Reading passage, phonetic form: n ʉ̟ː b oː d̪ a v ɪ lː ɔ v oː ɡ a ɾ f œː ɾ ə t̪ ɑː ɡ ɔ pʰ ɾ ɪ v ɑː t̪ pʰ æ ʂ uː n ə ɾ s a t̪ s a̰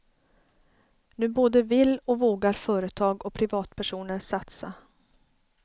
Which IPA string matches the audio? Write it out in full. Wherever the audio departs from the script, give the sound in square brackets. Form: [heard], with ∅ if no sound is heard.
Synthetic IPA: n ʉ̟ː b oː d̪ [ə] v ɪ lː ɔ v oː ɡ a ɾ f œː ɾ ə [t̪ʰ] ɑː ɡ ɔ pʰ ɾ ɪ v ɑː t̪ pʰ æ ʂ uː n ə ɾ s a t̪ s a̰